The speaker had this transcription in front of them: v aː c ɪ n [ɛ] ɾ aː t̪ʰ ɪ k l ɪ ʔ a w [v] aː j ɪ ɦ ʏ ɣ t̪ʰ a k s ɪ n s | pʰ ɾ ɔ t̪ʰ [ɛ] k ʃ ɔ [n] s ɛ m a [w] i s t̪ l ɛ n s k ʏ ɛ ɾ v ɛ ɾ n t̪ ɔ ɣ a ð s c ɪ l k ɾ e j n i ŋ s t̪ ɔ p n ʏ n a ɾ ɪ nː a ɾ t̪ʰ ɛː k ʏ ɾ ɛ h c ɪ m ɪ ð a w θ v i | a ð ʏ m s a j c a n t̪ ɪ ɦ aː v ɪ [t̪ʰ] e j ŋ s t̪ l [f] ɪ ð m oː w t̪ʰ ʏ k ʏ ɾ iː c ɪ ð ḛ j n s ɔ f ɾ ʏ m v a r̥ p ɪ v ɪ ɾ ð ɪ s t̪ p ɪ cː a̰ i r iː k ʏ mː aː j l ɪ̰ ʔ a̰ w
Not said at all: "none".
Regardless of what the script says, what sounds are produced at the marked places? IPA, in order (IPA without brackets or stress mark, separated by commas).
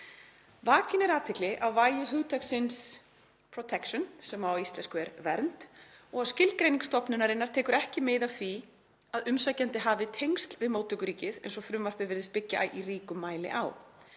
ɛ, v, ɛ, n, w, t̪ʰ, v